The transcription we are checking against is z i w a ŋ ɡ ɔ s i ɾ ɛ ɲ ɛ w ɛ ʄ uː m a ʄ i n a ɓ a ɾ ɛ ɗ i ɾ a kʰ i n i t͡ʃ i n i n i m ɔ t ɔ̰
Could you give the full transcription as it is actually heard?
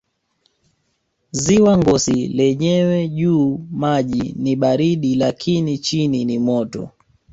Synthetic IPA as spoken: z i w a ŋ ɡ ɔ s i l ɛ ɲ ɛ w ɛ ʄ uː m a ʄ i n i ɓ a ɾ i ɗ i l a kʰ i n i t͡ʃ i n i n i m ɔ t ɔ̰